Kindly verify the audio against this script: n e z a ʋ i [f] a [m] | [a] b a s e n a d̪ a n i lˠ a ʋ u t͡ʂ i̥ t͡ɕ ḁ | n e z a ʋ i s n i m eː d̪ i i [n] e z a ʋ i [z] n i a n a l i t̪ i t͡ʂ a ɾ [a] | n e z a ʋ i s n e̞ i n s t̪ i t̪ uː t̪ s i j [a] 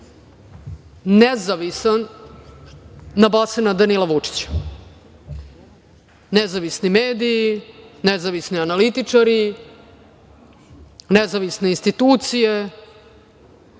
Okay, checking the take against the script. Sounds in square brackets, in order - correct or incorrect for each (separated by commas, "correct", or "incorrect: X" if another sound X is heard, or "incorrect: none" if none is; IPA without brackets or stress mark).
incorrect: s, incorrect: n, correct, correct, incorrect: s, incorrect: i, incorrect: e